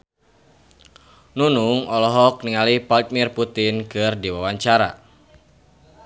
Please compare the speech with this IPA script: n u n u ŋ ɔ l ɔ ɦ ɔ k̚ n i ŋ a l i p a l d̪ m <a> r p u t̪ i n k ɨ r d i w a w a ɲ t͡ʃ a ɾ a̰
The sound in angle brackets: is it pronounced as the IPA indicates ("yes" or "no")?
no